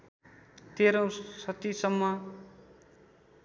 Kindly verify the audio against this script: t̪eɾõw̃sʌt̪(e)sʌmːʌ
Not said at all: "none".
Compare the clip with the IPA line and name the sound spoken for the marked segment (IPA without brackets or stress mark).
i